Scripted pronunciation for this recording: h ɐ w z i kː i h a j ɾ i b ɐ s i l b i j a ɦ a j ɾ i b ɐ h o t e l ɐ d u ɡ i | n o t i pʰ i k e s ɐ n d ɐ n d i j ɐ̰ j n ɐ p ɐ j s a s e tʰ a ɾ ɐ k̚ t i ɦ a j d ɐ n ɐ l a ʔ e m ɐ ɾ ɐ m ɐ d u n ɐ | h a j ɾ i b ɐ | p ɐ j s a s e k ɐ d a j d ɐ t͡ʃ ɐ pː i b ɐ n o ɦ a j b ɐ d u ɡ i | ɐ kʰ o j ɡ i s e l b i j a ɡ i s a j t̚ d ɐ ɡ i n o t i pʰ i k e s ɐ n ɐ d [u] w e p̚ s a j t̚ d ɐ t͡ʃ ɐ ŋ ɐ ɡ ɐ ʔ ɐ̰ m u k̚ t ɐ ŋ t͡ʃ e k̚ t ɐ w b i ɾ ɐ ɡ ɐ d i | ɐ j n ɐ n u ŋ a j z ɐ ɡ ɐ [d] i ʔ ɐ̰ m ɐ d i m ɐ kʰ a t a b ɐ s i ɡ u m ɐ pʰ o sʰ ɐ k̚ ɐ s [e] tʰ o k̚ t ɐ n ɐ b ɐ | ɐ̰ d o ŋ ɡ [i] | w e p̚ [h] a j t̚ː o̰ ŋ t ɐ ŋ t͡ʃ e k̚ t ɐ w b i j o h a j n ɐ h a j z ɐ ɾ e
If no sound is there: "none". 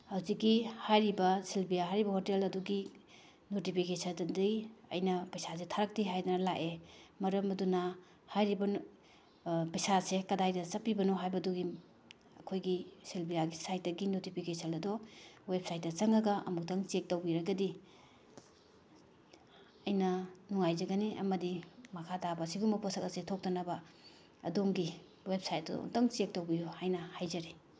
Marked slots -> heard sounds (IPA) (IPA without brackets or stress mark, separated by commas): ɔ, n, e, i, s